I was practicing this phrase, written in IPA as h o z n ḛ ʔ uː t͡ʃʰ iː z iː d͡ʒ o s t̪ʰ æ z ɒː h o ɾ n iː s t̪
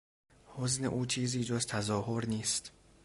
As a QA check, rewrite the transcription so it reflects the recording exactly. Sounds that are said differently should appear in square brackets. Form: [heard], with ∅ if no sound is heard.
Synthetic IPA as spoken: h o z n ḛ ʔ uː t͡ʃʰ iː z iː d͡ʒ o [z] t̪ʰ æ z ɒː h o ɾ n iː s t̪